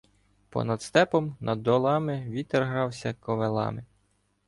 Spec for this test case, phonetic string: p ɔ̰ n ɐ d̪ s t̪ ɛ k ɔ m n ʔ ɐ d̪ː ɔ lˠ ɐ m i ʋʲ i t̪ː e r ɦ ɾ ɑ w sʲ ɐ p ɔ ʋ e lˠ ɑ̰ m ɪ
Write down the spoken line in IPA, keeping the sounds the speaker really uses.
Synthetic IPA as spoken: p ɔ̰ n ɐ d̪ s t̪ ɛ p ɔ m n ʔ ɐ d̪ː ɔ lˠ ɑ m ɪ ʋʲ i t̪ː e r ɦ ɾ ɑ w sʲ ɐ k ɔ ʋ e lˠ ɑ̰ m ɪ